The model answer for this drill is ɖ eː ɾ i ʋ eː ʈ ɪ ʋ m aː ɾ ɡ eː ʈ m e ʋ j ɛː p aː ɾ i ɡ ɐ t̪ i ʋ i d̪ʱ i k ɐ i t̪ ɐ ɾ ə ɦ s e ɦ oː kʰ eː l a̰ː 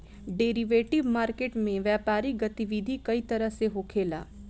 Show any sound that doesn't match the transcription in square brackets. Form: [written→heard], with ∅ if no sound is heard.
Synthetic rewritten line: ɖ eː ɾ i ʋ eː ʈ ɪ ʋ m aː ɾ [ɡ→k] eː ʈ m [e→ẽ] ʋ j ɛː p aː ɾ i ɡ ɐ t̪ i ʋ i d̪ʱ i k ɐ i t̪ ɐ ɾ ə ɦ s e ɦ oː kʰ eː l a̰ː

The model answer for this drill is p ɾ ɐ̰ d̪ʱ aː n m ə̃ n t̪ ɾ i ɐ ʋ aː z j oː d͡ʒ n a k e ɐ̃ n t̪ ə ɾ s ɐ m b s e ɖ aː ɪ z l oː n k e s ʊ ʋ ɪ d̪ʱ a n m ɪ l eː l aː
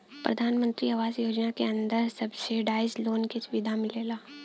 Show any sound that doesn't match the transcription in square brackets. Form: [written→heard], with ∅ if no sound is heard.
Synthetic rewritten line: p ɾ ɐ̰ d̪ʱ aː n m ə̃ n t̪ ɾ i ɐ ʋ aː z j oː d͡ʒ n a k e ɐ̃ n [t̪→d̪] ə ɾ s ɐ [m→∅] b s e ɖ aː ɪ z l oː n k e s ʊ ʋ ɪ d̪ʱ a [n→∅] m ɪ l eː l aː

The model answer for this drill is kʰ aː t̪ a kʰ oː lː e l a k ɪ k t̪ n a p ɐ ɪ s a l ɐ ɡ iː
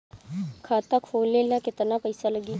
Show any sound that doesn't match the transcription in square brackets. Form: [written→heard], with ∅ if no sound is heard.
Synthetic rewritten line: kʰ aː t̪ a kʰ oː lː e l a k ɪ [k→∅] t̪ n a p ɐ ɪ s a l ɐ ɡ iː

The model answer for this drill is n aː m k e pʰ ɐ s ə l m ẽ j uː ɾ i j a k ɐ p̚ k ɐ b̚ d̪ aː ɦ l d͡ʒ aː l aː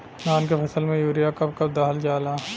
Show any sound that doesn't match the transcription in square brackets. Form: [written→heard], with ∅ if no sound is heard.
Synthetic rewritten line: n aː [m→n] k e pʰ ɐ s ə l m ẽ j uː ɾ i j a k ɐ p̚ k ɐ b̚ d̪ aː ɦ l d͡ʒ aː l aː

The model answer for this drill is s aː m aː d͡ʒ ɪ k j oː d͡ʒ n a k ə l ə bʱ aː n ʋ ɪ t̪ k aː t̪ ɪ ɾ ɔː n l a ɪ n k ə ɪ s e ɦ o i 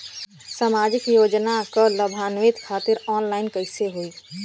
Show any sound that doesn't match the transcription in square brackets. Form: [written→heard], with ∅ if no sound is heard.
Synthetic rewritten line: s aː m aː d͡ʒ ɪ k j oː d͡ʒ n a k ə l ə bʱ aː n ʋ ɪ t̪ [k→kʰ] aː t̪ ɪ ɾ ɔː n l a ɪ n k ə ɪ s e ɦ o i

